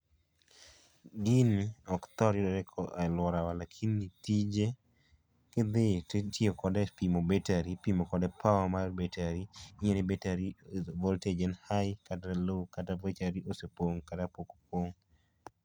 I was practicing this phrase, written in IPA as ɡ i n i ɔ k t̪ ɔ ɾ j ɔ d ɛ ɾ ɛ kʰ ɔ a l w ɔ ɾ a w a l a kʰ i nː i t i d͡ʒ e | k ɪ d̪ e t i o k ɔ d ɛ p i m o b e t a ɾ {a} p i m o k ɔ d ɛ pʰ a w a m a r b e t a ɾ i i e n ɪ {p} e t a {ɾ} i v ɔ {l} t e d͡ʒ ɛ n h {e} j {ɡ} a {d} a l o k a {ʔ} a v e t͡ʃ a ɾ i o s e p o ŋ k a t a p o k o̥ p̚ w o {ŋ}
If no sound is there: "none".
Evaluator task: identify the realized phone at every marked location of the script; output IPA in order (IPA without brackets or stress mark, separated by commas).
i, b, ɾ, l, a, k, t, t, ŋ